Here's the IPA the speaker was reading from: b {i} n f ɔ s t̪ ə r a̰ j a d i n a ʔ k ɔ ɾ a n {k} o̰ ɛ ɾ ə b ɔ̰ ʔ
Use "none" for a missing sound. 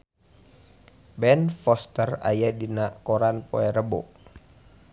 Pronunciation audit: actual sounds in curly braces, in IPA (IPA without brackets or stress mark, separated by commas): ɛ, p